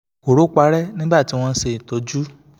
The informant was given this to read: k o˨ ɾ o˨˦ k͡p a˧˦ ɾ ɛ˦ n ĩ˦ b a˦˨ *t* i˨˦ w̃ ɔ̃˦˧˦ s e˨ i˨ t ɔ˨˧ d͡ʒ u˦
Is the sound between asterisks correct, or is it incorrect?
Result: correct